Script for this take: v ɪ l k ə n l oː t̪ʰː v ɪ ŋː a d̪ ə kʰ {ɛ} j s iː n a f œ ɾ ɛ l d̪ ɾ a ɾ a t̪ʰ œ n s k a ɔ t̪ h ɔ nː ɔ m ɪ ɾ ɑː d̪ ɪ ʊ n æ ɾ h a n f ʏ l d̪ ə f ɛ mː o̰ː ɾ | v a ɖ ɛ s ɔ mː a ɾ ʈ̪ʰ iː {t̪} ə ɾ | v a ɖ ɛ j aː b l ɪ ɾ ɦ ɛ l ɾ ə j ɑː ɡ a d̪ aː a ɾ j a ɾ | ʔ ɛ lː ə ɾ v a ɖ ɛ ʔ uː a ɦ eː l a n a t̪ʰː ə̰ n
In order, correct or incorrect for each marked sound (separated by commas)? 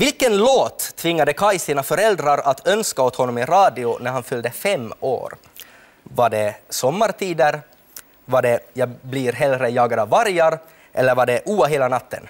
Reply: incorrect, incorrect